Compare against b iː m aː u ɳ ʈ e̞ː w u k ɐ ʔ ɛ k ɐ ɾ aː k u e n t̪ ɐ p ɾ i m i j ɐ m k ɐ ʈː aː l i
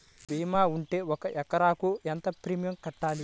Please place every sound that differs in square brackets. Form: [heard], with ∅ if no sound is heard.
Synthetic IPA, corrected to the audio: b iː m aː u ɳ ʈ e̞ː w [ɔ] k ɐ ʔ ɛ k ɐ ɾ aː k u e n t̪ ɐ p ɾ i m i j ɐ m k ɐ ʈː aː l i